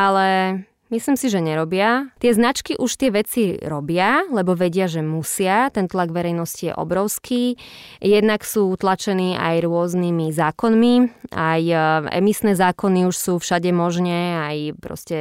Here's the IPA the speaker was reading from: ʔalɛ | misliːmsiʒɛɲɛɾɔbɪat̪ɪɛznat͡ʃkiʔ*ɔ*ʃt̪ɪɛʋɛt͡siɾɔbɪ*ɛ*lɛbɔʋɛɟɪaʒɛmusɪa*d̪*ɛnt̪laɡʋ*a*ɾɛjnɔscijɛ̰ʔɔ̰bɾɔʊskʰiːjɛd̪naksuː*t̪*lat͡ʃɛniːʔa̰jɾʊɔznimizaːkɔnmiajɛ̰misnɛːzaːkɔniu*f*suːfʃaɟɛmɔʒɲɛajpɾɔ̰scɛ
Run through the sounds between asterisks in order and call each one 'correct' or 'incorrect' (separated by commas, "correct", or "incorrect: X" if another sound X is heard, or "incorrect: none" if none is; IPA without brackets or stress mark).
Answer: incorrect: u, incorrect: a, incorrect: t̪, incorrect: ɛ, correct, incorrect: ʃ